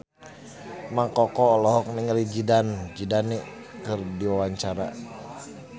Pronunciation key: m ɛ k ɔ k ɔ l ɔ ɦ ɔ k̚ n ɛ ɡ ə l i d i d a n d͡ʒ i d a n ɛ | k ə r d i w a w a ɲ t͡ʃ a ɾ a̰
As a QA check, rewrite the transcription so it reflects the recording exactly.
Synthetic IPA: m a k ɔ k ɔ l ɔ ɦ ɔ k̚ n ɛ ŋ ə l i d͡ʒ i d a n d͡ʒ i d a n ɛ | k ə r d i w a w a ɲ t͡ʃ a ɾ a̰